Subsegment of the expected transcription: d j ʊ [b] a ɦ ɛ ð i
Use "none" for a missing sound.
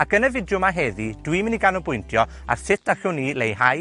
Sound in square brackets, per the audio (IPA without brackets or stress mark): m